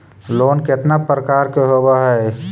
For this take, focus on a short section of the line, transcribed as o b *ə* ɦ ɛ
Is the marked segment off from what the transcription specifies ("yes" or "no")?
yes